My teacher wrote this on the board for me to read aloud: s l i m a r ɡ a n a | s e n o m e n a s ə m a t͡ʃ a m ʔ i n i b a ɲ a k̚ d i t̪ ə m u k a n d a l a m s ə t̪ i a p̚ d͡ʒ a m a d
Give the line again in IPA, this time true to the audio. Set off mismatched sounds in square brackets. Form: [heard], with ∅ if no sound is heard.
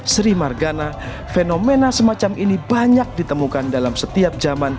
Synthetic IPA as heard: s [ɾ] i m a r ɡ a n a | [f] e n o m e n a s ə m a t͡ʃ a m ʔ i n i b a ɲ a k̚ d i t̪ ə m u k a n d a l a m s ə t̪ i a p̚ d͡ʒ a m a [n]

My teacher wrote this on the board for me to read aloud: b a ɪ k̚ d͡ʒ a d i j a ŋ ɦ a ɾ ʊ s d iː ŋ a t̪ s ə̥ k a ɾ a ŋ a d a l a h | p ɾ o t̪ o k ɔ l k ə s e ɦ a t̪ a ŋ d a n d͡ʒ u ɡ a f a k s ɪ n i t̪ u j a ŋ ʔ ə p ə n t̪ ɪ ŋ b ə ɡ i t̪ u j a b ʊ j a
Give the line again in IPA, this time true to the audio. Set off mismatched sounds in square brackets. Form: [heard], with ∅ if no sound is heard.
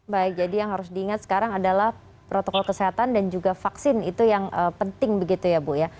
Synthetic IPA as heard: b a ɪ k̚ d͡ʒ a d i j a ŋ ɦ a ɾ ʊ s d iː ŋ a t̪ s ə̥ k a ɾ a ŋ a d a l a h | p ɾ o t̪ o k ɔ l k ə s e ɦ a t̪ a [n] d a n d͡ʒ u ɡ a f a k s ɪ n i t̪ u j a ŋ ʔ ə p ə n t̪ ɪ ŋ b ə ɡ i t̪ u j a b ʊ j a

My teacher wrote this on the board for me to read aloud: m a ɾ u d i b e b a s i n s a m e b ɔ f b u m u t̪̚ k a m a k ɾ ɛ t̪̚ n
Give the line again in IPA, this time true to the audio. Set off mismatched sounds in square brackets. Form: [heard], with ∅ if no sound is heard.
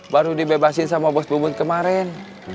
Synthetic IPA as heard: [b] a ɾ u d i b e b a s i n s a m [a] b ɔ [s] b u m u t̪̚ k [ə] m a [∅] ɾ ɛ [∅] n

